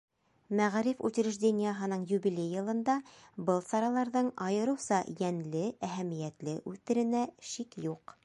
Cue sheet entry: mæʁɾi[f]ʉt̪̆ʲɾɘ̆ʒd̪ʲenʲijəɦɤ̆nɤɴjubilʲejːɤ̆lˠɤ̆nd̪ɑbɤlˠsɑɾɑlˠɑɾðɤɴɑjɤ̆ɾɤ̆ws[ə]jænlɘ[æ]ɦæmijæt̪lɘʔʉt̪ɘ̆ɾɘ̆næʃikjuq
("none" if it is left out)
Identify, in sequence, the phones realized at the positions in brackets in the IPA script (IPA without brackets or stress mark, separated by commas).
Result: f, ɑ, æ